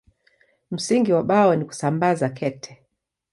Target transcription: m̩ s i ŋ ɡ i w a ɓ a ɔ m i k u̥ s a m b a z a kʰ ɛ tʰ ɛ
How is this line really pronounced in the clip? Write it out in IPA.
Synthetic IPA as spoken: m̩ s i ŋ ɡ i w a ɓ a ɔ n i k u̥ s a m b a z a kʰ ɛ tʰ ɛ